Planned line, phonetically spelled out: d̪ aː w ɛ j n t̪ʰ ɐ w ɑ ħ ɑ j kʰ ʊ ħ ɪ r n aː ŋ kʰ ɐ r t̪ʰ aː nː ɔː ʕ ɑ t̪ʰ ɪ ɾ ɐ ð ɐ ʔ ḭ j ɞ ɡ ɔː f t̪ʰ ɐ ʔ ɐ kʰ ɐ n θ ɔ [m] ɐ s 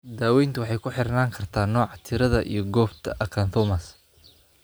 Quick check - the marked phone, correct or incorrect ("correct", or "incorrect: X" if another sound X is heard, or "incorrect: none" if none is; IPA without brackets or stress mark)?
correct